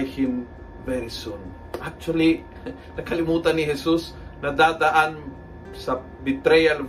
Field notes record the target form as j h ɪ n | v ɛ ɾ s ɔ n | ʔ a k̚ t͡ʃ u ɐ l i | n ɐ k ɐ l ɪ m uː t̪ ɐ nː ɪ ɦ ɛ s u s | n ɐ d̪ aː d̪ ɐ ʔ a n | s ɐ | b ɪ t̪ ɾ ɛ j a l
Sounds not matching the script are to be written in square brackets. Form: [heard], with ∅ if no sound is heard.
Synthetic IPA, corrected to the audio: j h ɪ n | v ɛ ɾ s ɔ n | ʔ a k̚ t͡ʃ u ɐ l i | n ɐ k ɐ l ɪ m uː t̪ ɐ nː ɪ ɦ ɛ s u s | n ɐ d̪ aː d̪ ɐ ʔ a n | s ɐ | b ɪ t̪ ɾ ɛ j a l